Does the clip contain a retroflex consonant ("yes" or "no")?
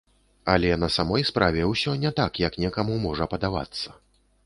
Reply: yes